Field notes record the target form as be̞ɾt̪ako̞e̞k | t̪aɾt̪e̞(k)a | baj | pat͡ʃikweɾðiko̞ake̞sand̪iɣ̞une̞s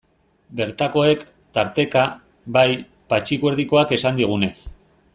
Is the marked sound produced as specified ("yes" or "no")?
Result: yes